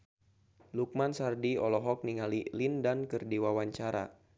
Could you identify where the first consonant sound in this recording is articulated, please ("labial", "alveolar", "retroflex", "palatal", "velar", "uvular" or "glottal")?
alveolar